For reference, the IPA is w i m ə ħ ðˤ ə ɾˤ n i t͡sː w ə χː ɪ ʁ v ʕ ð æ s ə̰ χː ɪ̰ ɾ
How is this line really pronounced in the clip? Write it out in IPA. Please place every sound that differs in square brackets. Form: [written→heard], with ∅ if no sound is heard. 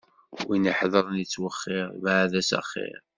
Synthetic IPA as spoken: w i [m→n] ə ħ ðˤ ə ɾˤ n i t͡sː w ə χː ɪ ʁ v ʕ ð æ s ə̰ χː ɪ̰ ɾ